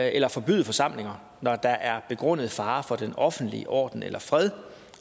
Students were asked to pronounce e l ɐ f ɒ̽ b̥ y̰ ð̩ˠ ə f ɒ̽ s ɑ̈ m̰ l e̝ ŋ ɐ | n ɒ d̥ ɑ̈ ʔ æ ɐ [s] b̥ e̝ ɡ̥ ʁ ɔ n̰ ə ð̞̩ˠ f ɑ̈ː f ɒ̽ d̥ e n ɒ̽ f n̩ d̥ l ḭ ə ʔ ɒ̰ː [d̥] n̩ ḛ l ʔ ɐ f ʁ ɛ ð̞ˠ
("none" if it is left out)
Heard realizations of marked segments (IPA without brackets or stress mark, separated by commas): none, d̥